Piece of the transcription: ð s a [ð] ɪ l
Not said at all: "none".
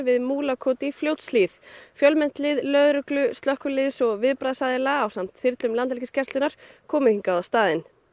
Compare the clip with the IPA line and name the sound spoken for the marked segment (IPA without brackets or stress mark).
ð